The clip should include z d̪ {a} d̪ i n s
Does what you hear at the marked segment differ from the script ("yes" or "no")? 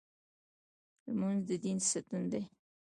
yes